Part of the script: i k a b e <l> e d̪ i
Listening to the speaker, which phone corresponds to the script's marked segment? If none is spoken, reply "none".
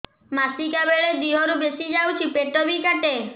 ɭ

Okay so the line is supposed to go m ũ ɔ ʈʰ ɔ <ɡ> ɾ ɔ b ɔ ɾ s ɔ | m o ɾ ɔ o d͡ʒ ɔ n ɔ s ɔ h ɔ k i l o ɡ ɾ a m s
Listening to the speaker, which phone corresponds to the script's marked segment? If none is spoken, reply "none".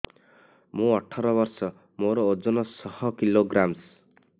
none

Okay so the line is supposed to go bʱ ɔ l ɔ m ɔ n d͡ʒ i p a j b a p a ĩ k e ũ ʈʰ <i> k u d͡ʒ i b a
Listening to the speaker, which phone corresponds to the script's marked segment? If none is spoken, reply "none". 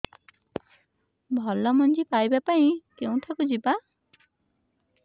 a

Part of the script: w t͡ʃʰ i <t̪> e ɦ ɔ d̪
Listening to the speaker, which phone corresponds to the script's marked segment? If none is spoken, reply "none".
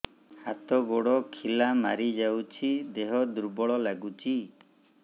d̪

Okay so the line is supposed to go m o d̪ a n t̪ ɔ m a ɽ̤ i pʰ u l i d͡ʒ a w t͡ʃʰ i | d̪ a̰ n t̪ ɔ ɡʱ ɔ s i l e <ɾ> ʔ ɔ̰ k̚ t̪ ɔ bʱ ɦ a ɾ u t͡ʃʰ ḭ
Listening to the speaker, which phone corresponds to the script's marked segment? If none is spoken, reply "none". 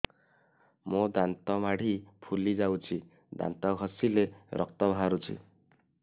ɾ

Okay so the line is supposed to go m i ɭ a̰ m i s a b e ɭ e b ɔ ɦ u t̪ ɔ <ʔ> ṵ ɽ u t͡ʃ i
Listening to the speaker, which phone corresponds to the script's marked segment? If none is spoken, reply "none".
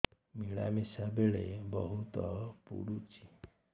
p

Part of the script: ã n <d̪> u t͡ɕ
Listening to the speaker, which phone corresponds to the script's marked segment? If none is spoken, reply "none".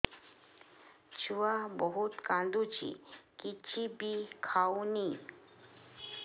d̪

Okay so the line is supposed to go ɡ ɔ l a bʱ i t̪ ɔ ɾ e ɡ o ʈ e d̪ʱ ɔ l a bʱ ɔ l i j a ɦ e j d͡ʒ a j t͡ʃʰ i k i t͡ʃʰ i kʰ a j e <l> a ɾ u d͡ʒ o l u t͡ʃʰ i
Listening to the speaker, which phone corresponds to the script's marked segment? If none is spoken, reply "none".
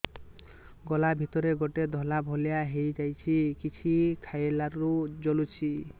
l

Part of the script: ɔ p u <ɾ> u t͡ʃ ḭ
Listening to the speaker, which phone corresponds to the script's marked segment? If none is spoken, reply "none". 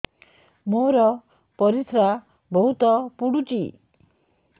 ɽ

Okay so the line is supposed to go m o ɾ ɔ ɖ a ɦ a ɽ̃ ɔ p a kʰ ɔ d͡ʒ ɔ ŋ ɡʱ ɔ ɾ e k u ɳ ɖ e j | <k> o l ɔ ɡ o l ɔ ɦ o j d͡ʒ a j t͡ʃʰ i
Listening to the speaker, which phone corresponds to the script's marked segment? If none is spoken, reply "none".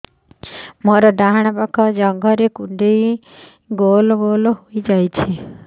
ɡ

